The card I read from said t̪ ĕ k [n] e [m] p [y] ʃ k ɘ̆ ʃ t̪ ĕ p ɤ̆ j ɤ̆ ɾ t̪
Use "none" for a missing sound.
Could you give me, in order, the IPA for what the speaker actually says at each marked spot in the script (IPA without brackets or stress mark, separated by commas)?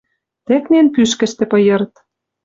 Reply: n, n, y